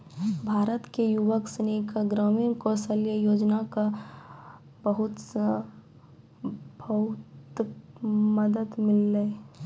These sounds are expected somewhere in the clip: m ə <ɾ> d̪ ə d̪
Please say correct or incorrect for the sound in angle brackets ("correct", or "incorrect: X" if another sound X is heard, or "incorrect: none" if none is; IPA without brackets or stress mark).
incorrect: none